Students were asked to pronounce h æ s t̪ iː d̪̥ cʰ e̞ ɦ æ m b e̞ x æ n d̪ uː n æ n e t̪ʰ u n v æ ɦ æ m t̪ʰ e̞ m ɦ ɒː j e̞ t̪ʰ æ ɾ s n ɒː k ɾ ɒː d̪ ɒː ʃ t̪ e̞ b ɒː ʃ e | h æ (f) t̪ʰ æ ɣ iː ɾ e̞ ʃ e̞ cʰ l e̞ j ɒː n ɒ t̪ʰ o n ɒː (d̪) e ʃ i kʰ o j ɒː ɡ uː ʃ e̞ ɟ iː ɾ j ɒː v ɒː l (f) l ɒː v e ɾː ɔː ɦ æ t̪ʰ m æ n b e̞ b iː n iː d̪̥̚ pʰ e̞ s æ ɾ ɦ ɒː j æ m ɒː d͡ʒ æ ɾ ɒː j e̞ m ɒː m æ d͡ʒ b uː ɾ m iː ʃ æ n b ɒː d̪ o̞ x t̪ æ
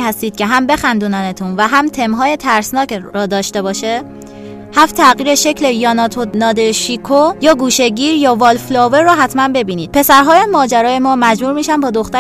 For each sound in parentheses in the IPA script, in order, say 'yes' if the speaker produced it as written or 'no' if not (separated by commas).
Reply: yes, yes, yes